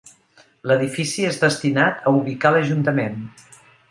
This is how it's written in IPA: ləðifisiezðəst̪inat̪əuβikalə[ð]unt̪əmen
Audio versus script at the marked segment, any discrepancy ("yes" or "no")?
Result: yes